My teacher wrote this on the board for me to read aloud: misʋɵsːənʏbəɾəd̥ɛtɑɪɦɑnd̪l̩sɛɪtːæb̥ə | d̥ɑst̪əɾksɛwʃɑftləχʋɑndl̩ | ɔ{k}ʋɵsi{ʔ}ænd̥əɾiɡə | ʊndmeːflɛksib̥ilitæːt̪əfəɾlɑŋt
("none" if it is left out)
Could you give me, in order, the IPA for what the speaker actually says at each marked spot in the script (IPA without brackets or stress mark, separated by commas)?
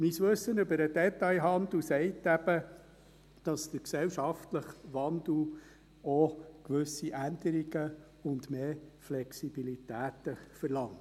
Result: k, ʔ